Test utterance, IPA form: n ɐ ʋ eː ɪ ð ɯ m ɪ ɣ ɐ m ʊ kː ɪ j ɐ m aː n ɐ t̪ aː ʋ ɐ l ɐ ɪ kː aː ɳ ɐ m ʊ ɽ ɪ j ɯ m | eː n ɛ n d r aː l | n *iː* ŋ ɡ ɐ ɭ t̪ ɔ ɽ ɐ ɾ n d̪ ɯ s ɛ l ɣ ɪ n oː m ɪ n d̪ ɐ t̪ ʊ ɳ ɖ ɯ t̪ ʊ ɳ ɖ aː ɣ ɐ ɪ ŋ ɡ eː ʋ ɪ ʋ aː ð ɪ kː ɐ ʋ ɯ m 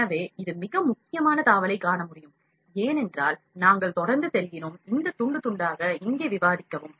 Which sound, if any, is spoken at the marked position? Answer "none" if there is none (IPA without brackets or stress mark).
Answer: aː